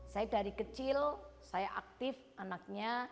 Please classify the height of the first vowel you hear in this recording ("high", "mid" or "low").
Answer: low